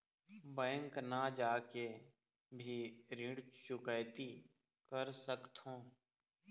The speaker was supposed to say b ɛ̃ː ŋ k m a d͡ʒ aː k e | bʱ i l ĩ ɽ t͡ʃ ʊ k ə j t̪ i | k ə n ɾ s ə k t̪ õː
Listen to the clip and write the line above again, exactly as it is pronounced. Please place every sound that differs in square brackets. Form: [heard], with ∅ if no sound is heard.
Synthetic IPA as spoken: b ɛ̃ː ŋ k [n] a d͡ʒ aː k e | bʱ i [ɾ] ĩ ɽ t͡ʃ ʊ k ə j t̪ i | k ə [∅] ɾ s ə k t̪ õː